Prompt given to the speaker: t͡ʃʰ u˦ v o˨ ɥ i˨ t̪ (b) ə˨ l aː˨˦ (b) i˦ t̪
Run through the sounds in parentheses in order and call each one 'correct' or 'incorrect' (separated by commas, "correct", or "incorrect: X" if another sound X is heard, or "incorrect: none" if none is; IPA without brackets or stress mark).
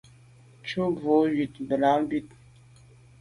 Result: correct, correct